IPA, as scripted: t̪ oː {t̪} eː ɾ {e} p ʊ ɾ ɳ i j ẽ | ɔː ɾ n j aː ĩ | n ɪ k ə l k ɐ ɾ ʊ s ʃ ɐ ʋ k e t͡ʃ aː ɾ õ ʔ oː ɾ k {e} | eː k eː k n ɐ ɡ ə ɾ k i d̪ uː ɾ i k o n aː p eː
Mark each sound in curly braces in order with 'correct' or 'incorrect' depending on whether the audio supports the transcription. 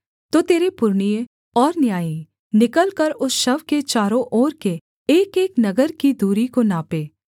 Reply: correct, correct, correct

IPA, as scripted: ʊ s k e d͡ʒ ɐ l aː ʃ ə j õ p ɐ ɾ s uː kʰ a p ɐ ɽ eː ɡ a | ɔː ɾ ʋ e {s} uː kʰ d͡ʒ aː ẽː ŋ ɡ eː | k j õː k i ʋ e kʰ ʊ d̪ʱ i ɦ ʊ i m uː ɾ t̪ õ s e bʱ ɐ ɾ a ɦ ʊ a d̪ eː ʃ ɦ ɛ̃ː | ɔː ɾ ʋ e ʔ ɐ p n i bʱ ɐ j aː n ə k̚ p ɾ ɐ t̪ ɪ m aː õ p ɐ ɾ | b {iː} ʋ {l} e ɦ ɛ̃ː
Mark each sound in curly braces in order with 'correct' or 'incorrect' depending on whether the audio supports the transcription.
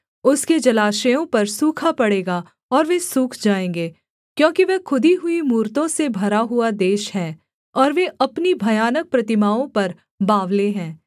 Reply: correct, incorrect, correct

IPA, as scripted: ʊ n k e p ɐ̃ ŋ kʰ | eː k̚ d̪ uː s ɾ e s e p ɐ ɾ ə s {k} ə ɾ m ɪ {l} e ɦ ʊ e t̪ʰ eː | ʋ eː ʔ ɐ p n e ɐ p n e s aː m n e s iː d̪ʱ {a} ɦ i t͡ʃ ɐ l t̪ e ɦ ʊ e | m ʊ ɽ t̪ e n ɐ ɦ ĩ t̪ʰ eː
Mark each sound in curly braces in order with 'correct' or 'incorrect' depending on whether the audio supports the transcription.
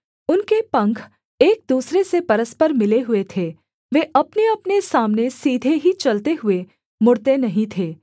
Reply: incorrect, correct, incorrect

